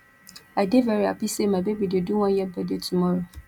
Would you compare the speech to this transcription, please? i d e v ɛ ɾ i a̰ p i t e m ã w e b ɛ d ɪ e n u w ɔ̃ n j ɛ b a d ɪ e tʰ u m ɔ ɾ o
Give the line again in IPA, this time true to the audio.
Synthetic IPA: a d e v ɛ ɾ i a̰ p i s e m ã b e b i d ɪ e d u w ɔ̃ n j ɛ b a d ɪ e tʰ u m ɔ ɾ o